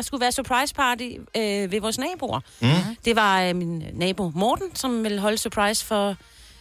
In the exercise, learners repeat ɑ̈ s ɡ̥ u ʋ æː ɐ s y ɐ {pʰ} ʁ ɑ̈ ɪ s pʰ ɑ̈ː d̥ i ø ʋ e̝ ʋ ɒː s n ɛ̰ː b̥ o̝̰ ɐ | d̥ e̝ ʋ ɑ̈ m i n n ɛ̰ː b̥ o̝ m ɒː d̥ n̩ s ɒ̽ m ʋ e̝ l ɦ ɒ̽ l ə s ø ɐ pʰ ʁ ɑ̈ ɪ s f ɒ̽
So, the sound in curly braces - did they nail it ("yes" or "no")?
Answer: yes